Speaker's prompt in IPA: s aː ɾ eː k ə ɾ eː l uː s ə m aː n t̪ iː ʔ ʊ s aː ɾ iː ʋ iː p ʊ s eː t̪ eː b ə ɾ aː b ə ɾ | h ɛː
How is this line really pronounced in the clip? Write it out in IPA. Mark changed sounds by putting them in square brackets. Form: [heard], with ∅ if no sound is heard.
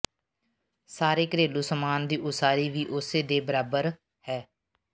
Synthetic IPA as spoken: s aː ɾ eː k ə ɾ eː l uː s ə m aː n [d̪] iː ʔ ʊ s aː ɾ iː ʋ iː [ʔ] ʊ s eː [d̪] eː b ə ɾ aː b ə ɾ | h ɛː